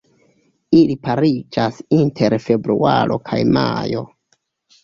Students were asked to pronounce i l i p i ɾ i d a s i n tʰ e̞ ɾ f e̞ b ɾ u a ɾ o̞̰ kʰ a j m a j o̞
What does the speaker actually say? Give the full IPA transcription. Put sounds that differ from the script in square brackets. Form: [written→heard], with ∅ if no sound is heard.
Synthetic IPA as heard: i l i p [i→a] ɾ i [d→d͡ʒ] a s i n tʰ e̞ ɾ f e̞ b ɾ u a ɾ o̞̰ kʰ a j m a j o̞